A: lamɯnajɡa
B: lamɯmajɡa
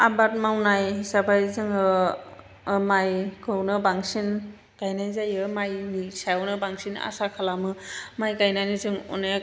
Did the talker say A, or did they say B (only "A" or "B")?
B